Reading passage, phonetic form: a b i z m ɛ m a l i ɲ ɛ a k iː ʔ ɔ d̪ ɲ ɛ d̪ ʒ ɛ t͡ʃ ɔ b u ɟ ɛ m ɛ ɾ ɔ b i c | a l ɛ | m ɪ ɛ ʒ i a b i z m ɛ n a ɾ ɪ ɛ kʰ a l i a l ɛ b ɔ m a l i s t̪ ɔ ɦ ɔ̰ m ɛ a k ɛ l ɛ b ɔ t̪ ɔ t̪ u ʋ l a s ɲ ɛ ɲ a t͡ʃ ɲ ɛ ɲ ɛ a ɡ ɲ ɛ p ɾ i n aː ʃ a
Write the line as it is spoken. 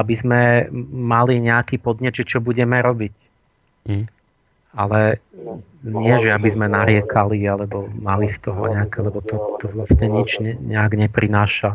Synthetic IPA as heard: a b i z m ɛ m a l i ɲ ɛ a k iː p ɔ d̪ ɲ ɛ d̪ ʒ ɛ t͡ʃ ɔ b u ɟ ɛ m ɛ ɾ ɔ b i c | a l ɛ | ɲ ɪ ɛ ʒ ɛ a b i z m ɛ n a ɾ ɪ ɛ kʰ a l i a l ɛ b ɔ m a l i s t̪ ɔ ɦ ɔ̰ ɲ ɛ a k ɛ l ɛ b ɔ t̪ ɔ t̪ ɔ ʋ l a s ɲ ɛ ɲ i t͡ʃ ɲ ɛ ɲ ɛ a ɡ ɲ ɛ p ɾ i n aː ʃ a